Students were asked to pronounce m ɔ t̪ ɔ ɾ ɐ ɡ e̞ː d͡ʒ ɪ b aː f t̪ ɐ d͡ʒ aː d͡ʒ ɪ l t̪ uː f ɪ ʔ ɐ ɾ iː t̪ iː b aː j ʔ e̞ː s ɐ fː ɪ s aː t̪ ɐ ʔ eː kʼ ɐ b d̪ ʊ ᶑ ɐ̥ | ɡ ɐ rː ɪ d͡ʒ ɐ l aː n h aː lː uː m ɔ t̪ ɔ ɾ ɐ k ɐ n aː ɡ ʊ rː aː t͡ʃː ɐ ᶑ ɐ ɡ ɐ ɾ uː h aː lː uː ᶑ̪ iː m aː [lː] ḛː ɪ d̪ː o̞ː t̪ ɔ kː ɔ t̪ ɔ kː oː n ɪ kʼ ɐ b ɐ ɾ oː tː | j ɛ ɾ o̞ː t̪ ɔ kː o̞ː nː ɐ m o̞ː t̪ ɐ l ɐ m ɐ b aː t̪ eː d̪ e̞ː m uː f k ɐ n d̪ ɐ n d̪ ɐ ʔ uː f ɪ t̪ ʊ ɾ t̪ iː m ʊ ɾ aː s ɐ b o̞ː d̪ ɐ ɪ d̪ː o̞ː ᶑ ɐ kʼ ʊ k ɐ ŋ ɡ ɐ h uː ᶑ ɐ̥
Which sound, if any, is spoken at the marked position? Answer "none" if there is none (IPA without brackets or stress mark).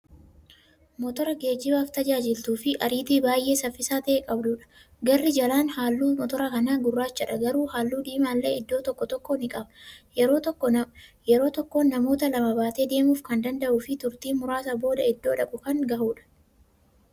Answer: lː